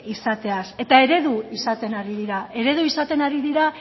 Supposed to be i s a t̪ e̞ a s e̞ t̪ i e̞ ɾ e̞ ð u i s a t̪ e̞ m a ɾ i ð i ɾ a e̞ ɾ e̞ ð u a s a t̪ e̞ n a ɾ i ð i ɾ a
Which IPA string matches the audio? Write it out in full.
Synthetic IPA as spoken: i s a t̪ e̞ a s e̞ t̪ a e̞ ɾ e̞ ð u i s a t̪ e̞ n a ɾ i ð i ɾ a e̞ ɾ e̞ ð u i s a t̪ e̞ n a ɾ i ð i ɾ a